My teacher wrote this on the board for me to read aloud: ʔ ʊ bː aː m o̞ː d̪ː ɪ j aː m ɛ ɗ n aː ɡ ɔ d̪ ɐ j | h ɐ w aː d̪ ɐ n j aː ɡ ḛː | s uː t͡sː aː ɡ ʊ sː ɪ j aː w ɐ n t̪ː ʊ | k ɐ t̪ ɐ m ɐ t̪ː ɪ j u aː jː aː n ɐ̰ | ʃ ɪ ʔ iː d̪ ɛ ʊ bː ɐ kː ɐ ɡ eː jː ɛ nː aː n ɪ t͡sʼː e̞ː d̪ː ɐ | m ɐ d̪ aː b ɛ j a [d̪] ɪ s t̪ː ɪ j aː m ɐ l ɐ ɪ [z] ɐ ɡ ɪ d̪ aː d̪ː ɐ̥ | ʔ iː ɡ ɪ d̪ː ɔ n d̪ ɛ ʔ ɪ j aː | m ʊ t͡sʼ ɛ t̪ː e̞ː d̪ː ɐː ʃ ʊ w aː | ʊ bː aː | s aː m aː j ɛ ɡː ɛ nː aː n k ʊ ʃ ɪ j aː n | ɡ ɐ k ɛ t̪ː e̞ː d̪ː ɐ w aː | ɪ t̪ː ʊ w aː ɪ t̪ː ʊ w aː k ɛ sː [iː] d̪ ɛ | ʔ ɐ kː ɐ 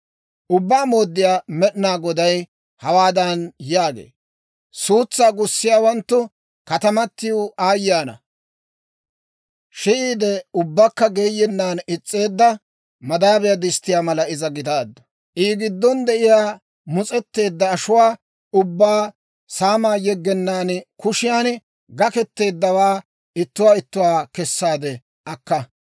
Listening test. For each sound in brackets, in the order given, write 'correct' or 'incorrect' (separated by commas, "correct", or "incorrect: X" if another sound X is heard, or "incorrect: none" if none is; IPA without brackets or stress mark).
correct, correct, incorrect: aː